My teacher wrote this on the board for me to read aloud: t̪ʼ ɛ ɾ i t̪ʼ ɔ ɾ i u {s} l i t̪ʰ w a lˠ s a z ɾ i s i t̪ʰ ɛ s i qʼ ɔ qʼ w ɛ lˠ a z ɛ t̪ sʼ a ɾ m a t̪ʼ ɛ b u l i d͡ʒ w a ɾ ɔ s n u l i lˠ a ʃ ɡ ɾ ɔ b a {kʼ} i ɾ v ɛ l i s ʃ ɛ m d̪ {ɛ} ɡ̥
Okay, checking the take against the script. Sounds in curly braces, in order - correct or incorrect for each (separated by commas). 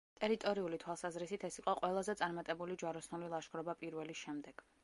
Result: incorrect, incorrect, correct